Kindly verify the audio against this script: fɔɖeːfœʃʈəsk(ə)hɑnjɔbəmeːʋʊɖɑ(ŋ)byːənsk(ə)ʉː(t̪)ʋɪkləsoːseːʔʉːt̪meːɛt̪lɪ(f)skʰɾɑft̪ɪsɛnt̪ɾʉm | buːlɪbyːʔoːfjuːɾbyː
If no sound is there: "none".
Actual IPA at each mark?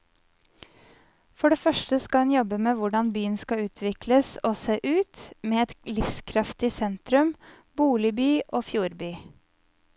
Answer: ɑ, n, ɑ, t̪ʰ, f

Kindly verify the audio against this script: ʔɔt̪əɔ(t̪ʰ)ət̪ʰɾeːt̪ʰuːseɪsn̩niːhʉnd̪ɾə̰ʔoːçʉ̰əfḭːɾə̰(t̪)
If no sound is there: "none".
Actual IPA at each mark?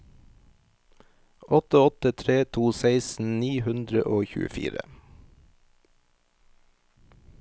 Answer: t̪, none

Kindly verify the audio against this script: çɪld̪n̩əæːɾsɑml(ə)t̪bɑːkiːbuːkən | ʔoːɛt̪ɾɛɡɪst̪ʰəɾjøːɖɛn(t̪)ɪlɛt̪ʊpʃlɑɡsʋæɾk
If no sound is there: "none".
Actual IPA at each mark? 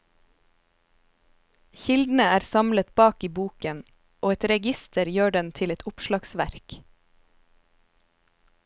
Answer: ə, t̪ʰ

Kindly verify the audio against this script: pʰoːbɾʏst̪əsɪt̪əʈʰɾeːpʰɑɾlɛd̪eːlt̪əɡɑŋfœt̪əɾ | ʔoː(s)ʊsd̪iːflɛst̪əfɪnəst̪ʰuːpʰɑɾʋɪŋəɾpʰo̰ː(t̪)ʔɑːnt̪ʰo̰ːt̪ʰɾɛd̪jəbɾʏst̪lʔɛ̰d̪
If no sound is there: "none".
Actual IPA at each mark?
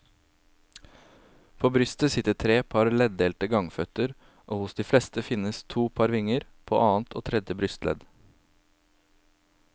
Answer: h, none

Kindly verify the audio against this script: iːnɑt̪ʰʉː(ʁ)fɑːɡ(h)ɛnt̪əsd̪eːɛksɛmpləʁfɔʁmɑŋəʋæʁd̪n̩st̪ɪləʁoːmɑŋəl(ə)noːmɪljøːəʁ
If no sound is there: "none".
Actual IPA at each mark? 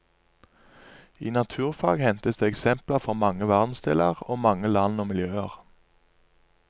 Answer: ʁ, h, ɑ

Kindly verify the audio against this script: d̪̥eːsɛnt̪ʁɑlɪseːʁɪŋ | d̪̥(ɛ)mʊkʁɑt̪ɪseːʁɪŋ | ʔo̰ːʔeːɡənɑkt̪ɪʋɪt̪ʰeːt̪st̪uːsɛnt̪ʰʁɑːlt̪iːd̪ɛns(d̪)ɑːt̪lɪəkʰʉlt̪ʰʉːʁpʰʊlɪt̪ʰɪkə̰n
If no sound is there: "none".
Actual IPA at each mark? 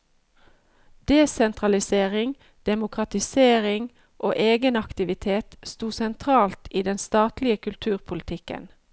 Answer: ɛ, t̪

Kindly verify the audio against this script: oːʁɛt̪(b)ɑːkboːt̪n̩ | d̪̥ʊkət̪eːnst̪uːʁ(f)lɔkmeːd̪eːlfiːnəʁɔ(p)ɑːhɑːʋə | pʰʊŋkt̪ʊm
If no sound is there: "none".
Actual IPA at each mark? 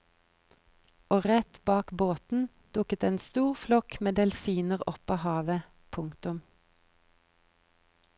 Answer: b, f, p

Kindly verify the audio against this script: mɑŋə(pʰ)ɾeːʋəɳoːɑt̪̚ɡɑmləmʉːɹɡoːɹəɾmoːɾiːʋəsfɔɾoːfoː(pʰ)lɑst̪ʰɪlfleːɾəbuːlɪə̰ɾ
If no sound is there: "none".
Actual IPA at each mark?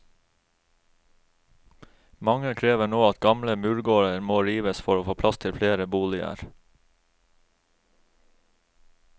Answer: kʰ, pʰ

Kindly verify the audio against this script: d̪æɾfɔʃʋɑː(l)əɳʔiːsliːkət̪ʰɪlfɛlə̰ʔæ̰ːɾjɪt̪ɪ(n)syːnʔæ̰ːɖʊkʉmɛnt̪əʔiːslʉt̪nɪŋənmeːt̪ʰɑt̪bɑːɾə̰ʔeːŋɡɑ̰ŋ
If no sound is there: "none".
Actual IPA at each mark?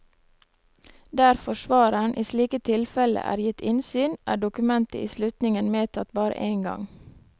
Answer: ɾ, n

